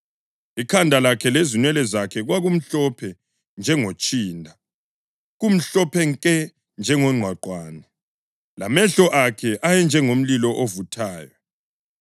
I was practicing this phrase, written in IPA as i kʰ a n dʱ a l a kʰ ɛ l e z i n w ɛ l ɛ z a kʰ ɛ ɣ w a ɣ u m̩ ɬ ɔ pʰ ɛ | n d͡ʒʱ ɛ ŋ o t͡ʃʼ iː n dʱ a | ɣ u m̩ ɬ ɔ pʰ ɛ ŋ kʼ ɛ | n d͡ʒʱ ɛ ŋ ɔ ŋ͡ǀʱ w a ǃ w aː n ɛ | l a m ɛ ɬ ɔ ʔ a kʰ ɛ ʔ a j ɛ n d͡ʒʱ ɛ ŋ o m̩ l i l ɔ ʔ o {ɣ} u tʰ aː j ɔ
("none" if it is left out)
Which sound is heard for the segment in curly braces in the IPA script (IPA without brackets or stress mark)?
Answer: v